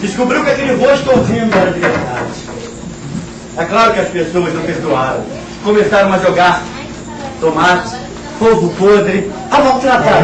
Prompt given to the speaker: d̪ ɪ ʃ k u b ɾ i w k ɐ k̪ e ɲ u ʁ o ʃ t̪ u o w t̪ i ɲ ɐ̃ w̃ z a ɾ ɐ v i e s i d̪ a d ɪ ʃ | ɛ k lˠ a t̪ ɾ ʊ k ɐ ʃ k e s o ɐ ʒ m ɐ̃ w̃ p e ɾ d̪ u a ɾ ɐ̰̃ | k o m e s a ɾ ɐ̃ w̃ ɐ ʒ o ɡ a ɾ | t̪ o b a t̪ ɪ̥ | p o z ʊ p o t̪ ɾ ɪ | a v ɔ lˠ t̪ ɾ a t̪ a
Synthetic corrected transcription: d̪ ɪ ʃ k u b ɾ i w k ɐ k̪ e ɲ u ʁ o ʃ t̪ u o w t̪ i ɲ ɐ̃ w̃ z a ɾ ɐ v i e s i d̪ a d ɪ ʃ | ɛ k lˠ a ɾ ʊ k ɐ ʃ p e s o ɐ ʒ n ɐ̃ w̃ p e ɾ d̪ u a ɾ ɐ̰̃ | k o m e s a ɾ ɐ̃ w̃ ɐ ʒ o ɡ a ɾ | t̪ o m a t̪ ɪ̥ | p o v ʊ p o d̪ ɾ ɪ | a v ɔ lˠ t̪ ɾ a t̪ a

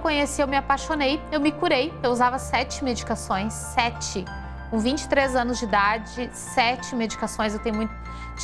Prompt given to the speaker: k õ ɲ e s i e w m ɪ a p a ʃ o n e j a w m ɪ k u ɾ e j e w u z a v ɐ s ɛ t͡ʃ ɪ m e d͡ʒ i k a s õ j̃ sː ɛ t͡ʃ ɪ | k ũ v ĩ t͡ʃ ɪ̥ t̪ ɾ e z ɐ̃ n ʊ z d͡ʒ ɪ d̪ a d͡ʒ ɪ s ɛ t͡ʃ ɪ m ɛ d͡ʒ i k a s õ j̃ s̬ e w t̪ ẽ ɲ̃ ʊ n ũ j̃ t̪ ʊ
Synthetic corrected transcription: k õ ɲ e s i e w m ɪ a p a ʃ o n e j e w m ɪ k u ɾ e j e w u z a v ɐ s ɛ t͡ʃ ɪ m e d͡ʒ i k a s õ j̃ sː ɛ t͡ʃ ɪ | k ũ v ĩ t͡ʃ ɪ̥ t̪ ɾ e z ɐ̃ n ʊ z d͡ʒ ɪ d̪ a d͡ʒ ɪ s ɛ t͡ʃ ɪ m e d͡ʒ i k a s õ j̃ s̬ e w t̪ ẽ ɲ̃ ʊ m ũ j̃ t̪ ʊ

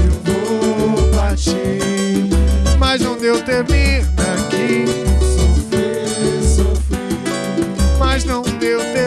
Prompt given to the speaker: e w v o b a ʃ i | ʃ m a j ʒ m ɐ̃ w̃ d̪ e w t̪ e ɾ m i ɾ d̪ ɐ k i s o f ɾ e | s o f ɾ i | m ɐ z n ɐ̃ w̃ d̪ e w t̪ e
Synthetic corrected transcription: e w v o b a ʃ i | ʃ m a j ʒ n ɐ̃ w̃ d̪ e w t̪ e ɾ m i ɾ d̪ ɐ k i s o f ɾ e | s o f ɾ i | m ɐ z n ɐ̃ w̃ d̪ e w t̪ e

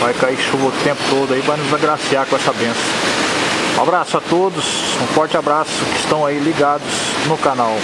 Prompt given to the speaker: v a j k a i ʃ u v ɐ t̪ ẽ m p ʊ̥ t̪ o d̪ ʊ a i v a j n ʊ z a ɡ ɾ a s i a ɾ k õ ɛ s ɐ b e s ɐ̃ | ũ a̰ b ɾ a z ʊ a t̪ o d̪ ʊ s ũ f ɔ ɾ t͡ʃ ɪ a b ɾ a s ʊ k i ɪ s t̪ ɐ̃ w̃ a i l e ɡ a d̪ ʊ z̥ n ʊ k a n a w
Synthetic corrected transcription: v a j k a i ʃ u v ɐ t̪ ẽ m p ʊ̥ t̪ o d̪ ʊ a i v a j n ʊ z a ɡ ɾ a s i a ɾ k õ ɛ s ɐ b ẽ s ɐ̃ | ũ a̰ b ɾ a s ʊ a t̪ o d̪ ʊ s ũ f ɔ ɾ t͡ʃ ɪ a b ɾ a s ʊ k ɪ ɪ s t̪ ɐ̃ w̃ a i l i ɡ a d̪ ʊ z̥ n ʊ k a n a w

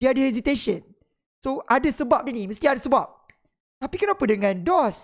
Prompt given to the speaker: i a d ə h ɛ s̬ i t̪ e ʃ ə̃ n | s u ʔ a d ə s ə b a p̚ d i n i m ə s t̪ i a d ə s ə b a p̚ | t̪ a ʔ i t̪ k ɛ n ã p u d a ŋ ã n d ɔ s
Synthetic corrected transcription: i a d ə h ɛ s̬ i t̪ e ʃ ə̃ n | s o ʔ a d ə s ə b a p̚ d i n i m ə s t̪ i a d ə s ə b a p̚ | t̪ a p i k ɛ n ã p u d ə ŋ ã n d ɔ s

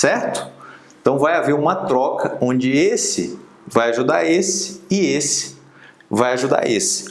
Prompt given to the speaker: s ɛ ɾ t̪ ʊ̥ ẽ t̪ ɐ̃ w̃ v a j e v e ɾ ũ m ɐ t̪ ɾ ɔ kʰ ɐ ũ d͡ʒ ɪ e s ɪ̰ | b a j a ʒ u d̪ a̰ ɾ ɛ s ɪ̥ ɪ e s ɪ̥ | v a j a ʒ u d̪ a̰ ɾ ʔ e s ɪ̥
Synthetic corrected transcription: s ɛ ɾ t̪ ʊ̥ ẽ t̪ ɐ̃ w̃ v a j a v e ɾ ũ m ɐ t̪ ɾ ɔ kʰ ɐ õ d͡ʒ ɪ e s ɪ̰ | v a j a ʒ u d̪ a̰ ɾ e s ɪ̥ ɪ e s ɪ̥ | v a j a ʒ u d̪ a̰ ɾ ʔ e s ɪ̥

